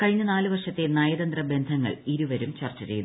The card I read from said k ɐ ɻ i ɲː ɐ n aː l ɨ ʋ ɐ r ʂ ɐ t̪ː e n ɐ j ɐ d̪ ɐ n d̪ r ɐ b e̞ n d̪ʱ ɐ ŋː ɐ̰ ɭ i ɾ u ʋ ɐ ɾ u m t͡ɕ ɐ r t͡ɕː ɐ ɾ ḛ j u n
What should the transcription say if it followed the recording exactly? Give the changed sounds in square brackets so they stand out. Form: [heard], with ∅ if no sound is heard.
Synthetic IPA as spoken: k ɐ ɻ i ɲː ɐ n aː l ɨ ʋ ɐ r ʂ ɐ t̪ː e n ɐ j ɐ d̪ ɐ n d̪ r ɐ b e̞ n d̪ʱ ɐ ŋː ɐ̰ ɭ i ɾ u ʋ ɐ ɾ u m t͡ɕ ɐ r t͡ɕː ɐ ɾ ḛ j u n